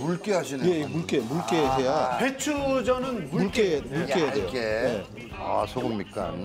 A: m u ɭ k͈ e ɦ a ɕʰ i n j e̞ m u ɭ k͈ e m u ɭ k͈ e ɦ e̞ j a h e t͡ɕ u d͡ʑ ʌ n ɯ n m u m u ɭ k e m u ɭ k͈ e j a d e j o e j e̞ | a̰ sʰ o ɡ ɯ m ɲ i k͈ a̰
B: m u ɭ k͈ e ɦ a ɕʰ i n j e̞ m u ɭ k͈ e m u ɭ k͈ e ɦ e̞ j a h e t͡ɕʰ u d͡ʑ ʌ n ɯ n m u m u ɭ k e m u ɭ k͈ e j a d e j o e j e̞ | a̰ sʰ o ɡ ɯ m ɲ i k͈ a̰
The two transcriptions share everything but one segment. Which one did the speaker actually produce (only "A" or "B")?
B